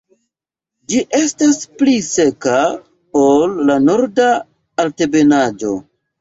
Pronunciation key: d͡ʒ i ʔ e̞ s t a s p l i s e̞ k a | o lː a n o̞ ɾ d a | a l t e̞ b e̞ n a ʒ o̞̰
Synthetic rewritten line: d͡ʒ i ʔ e̞ s t a s p l i s e̞ k a | o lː a n o̞ ɾ d a | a l t e̞ b e̞ n a d͡ʒ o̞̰